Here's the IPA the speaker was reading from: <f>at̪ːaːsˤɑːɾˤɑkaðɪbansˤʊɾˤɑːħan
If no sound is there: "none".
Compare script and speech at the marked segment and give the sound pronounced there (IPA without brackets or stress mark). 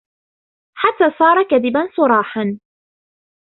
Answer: ħ